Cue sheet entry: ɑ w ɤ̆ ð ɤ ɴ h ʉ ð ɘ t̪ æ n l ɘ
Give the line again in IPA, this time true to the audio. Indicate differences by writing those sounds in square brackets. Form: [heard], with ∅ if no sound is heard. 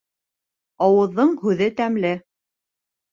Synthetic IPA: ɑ w ɤ̆ [ðː] ɤ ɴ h ʉ ð ɘ t̪ æ [m] l ɘ